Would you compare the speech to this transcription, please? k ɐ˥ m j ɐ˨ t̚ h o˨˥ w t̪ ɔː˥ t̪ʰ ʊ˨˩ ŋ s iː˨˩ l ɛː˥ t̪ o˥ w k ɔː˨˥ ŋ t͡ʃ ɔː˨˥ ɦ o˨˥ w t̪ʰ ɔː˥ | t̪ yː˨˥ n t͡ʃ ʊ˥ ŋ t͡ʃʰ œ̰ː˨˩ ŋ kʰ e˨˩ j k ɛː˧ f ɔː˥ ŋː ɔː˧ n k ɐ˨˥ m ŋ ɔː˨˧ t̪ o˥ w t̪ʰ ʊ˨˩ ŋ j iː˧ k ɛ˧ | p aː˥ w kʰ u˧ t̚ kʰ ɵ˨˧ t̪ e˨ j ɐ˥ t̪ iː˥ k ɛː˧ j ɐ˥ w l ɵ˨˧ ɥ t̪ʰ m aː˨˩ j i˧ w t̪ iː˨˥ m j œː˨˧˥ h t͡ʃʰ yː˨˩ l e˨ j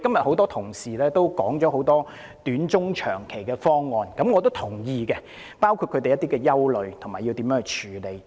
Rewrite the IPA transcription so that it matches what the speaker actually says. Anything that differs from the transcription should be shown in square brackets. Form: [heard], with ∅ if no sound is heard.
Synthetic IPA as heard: k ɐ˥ m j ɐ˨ t̚ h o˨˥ w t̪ ɔː˥ t̪ʰ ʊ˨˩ ŋ s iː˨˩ l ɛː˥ t̪ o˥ w k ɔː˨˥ ŋ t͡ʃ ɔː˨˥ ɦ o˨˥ w [t̪] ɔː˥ | t̪ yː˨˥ n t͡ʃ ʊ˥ ŋ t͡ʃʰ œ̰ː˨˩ ŋ kʰ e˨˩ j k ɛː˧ f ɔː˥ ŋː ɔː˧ n k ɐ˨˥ m ŋ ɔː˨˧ t̪ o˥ w t̪ʰ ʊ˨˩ ŋ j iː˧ k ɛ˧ | p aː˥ w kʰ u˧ t̚ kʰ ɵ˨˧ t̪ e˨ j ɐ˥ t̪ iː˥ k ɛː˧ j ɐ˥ w l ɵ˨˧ ɥ t̪ʰ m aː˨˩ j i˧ w t̪ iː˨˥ m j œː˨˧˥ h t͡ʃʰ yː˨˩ l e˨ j